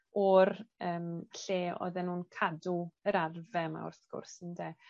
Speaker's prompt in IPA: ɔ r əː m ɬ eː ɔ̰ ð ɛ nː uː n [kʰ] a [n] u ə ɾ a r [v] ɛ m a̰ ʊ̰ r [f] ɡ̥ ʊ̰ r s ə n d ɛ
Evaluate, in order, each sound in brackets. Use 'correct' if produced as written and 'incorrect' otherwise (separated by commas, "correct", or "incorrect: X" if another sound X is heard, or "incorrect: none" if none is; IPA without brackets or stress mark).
correct, incorrect: d, correct, incorrect: θ